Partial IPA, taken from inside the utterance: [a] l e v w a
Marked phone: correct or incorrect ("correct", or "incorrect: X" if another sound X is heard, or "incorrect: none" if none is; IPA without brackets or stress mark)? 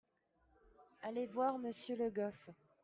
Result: correct